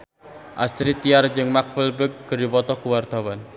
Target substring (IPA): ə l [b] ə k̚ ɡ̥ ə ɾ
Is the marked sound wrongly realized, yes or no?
no